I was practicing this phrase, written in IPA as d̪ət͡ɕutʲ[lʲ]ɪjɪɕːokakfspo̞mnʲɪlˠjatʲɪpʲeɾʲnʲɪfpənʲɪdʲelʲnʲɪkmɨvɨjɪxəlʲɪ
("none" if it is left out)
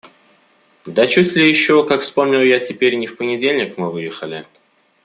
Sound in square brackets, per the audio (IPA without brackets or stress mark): lʲ